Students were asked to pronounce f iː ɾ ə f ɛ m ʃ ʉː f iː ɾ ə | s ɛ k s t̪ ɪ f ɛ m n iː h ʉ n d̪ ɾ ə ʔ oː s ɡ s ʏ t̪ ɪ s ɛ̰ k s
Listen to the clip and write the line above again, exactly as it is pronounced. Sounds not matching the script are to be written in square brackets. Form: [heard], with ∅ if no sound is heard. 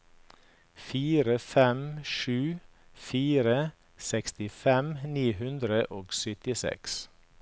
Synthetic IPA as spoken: f iː ɾ ə f ɛ m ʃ ʉː f iː ɾ ə | s ɛ k s t̪ ɪ f ɛ m n iː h ʉ n d̪ ɾ ə ʔ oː [∅] ɡ s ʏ t̪ ɪ s ɛ̰ k s